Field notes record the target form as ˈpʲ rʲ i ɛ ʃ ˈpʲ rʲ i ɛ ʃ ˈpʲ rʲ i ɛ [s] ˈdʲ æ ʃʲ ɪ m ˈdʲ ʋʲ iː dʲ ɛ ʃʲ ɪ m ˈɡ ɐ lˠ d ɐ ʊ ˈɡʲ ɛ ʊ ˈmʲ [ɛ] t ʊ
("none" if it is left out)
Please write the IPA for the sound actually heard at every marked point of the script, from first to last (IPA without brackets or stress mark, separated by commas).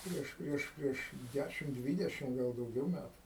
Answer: ʃ, æ